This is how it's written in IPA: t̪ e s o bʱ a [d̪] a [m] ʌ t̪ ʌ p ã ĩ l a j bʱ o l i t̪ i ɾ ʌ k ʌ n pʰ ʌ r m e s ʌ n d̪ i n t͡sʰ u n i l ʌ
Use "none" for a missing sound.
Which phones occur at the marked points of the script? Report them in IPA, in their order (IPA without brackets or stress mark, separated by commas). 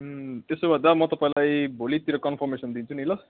d̪, m